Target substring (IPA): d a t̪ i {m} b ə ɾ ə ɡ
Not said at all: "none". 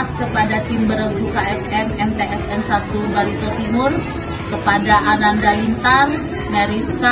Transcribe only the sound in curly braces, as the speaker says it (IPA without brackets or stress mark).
m